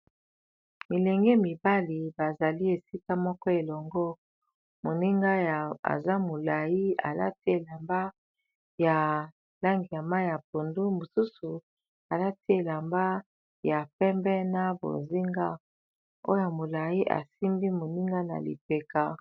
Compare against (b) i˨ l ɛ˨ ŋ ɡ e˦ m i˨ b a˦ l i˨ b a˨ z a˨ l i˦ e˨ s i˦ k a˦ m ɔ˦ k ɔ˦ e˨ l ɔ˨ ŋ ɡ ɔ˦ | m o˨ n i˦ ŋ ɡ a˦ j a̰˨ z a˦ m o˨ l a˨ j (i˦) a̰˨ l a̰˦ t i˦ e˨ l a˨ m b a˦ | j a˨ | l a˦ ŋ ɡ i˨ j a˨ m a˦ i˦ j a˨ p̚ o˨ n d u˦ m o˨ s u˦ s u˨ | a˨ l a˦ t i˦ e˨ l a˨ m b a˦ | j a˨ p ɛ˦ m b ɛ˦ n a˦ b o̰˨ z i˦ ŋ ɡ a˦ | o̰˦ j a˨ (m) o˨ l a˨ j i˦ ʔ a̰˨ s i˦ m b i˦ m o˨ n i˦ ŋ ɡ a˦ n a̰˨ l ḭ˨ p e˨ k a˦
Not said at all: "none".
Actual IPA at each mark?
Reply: m, i˦, m

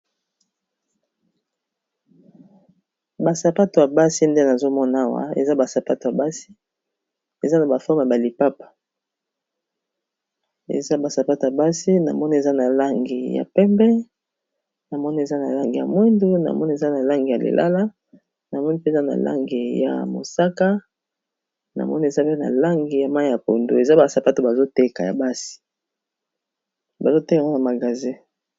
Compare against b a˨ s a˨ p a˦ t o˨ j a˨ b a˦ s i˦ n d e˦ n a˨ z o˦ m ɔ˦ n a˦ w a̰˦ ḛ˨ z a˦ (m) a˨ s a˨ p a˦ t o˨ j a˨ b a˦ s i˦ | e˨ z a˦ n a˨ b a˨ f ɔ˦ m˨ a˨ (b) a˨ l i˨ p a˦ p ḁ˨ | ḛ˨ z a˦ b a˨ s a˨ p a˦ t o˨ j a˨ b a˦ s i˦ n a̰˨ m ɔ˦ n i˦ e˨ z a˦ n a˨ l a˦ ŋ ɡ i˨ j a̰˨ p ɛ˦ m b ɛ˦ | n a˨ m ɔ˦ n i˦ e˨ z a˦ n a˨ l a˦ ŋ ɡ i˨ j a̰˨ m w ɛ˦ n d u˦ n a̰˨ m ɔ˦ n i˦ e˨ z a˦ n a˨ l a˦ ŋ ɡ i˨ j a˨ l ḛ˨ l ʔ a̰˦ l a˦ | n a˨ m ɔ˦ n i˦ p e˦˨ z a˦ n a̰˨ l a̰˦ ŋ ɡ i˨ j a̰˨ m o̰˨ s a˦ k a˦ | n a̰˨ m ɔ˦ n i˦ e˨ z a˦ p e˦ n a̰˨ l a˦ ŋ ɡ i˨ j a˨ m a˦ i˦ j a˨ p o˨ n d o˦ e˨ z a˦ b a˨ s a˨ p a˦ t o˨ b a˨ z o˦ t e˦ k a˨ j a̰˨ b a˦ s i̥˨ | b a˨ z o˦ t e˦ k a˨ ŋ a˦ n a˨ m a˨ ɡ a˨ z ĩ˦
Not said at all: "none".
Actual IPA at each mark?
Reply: b, b

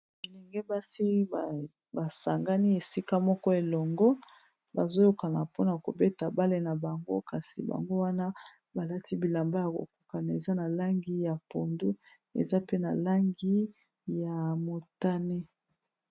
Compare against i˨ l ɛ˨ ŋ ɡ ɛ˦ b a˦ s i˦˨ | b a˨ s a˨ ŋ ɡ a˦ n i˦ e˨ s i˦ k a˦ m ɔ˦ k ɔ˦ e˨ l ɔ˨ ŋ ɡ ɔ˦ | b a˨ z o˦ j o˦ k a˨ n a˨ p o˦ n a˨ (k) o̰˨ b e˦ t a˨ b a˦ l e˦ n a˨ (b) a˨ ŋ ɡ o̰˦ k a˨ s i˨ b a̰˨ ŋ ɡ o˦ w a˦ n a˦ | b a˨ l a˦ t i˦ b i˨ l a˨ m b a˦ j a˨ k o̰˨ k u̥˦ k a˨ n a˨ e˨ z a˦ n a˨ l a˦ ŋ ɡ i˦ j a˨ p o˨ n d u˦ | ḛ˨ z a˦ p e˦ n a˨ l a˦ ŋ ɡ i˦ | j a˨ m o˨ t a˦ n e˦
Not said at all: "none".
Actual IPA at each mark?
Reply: k, b

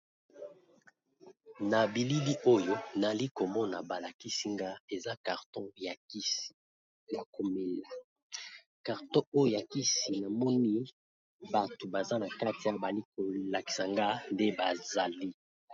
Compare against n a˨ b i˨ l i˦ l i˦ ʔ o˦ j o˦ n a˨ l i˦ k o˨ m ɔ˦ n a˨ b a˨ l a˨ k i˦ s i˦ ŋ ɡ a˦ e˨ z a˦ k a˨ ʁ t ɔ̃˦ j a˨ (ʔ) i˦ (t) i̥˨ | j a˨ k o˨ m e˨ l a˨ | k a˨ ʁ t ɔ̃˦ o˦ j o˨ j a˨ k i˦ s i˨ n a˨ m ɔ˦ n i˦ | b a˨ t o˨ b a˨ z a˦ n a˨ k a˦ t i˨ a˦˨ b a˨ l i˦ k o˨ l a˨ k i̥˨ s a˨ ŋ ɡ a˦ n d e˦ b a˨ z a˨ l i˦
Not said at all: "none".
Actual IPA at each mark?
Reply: k, s

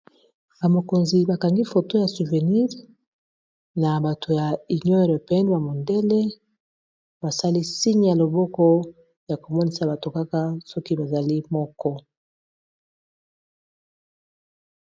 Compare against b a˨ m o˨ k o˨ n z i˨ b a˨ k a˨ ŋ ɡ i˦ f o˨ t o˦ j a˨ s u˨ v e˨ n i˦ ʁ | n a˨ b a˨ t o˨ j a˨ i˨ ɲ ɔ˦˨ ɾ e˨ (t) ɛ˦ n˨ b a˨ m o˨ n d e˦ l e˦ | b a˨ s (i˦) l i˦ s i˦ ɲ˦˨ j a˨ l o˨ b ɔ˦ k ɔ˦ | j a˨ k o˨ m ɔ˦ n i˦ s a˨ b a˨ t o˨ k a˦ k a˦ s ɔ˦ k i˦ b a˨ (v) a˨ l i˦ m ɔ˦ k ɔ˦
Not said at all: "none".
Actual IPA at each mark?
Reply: p, a˦, z

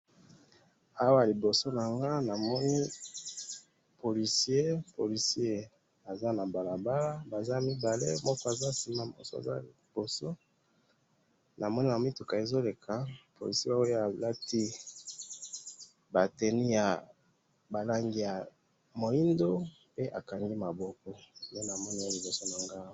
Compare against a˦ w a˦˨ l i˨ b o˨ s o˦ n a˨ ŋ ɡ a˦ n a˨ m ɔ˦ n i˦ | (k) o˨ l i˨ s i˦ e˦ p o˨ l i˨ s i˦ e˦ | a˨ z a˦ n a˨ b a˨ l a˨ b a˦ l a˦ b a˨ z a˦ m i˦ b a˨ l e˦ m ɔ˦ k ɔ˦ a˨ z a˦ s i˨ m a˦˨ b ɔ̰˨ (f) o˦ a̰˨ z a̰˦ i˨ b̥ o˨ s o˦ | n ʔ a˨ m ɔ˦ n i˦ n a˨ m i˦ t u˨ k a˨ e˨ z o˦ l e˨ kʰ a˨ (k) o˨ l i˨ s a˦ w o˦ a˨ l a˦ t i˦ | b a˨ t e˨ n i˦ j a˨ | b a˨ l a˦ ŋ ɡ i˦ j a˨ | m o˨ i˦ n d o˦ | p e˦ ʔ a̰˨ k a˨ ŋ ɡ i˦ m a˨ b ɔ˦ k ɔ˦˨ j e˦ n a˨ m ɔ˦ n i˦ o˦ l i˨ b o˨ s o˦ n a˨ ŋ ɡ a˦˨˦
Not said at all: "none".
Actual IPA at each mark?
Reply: p, s, p

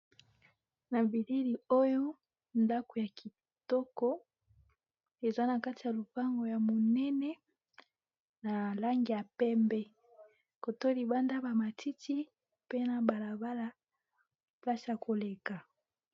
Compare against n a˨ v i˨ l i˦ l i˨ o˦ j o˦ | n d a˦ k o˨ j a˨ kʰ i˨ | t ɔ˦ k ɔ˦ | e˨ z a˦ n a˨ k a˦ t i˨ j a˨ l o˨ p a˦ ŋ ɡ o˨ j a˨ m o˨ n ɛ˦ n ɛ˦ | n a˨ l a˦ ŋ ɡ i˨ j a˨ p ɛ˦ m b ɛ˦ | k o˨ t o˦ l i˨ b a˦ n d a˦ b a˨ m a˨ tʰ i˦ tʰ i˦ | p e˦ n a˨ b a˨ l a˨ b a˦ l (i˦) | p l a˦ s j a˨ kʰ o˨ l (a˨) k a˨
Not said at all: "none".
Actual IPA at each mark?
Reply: a˦, e˨

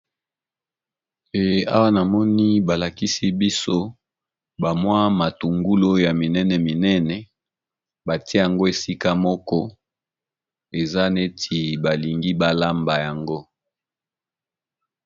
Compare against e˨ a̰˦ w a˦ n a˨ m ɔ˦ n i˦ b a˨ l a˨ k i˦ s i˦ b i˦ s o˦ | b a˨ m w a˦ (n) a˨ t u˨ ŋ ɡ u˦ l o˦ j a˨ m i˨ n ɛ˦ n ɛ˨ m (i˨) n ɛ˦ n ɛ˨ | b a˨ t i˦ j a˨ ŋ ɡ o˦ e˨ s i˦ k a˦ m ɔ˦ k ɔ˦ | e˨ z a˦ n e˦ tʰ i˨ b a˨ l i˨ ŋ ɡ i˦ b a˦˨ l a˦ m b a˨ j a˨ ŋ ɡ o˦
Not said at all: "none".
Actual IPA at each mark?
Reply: m, i˨

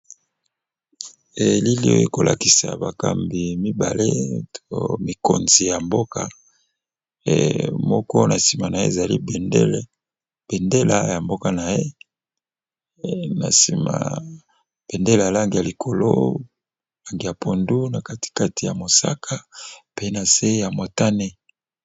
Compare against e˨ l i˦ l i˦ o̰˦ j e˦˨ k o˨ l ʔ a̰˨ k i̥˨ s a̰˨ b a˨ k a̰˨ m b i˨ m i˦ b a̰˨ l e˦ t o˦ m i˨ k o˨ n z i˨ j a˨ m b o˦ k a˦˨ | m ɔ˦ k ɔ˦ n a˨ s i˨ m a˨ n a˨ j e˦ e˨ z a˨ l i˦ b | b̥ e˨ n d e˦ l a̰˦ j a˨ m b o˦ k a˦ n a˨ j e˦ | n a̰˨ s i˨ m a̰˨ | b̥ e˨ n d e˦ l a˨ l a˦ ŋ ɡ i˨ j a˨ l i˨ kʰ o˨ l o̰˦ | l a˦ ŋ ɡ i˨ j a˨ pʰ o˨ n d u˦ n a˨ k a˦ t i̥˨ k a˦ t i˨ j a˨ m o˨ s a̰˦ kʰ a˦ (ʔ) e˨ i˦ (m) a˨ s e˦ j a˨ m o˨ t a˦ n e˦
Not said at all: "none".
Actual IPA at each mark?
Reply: p, n

